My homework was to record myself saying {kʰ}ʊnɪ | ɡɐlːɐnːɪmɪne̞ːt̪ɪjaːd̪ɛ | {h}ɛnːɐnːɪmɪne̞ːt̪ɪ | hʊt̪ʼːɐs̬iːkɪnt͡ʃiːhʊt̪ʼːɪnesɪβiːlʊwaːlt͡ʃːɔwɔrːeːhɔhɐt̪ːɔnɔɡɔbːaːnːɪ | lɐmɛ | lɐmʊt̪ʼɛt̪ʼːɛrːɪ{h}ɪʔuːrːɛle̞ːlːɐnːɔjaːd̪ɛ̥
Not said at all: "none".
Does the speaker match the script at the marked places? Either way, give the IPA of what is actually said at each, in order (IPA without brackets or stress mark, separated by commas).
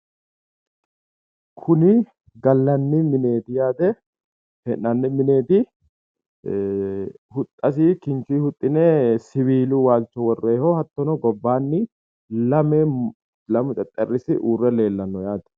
kʰ, h, s